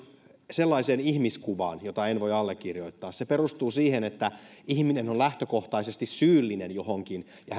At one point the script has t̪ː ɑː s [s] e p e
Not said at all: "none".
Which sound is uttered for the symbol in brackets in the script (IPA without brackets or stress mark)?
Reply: s